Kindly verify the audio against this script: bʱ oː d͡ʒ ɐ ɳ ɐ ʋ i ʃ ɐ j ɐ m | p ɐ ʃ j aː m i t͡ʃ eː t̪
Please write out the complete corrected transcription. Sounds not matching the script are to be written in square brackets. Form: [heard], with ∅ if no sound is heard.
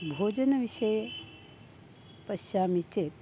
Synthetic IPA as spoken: bʱ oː d͡ʒ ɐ [n] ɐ ʋ i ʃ ɐ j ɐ [∅] | p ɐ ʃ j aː m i t͡ʃ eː t̪